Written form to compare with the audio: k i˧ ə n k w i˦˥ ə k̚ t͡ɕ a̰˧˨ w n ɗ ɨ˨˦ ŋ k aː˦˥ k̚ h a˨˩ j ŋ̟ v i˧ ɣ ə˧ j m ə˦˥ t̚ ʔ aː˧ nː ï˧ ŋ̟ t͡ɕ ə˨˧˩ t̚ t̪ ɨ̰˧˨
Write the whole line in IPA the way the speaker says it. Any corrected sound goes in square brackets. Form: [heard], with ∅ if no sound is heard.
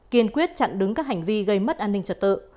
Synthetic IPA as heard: k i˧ ə n k w i˦˥ ə [t̚] t͡ɕ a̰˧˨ [∅] n ɗ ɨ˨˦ ŋ k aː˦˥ k̚ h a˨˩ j ŋ̟ v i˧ ɣ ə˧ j m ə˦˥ t̚ ʔ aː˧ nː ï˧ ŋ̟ t͡ɕ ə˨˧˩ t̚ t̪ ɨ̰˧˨